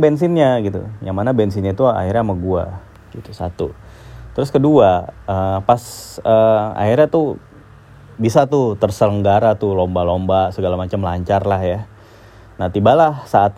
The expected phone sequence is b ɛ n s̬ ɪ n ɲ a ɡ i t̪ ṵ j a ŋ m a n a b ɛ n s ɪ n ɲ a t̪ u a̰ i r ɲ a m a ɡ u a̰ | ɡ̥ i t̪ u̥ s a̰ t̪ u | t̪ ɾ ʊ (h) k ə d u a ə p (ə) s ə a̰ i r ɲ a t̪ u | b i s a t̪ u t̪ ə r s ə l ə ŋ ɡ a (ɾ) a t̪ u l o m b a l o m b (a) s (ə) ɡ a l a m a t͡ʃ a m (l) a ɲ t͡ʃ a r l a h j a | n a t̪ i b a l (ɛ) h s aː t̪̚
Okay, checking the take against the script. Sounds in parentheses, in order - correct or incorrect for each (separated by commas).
incorrect, incorrect, correct, correct, correct, correct, incorrect